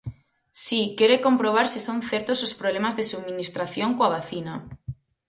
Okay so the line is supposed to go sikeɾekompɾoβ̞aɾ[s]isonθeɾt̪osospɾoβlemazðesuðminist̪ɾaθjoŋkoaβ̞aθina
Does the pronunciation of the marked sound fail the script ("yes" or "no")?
no